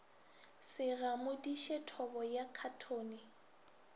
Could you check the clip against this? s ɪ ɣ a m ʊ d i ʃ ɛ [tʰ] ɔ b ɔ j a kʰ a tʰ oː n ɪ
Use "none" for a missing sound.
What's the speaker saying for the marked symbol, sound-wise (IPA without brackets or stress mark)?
tʰ